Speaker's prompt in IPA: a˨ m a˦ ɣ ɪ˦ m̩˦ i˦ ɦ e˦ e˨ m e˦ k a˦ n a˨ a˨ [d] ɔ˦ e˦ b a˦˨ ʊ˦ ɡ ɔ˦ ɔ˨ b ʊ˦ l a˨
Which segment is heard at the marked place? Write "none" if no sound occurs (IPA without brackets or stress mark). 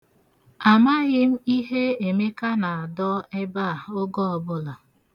d